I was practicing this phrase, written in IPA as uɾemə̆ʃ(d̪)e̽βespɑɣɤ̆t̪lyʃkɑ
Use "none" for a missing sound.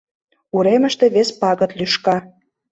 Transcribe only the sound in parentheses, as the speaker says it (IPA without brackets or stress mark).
t̪